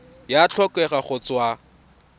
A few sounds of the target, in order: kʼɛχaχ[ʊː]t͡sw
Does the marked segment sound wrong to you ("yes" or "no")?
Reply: yes